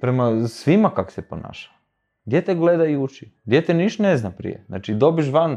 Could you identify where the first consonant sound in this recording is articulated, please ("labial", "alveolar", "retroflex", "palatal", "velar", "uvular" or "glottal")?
labial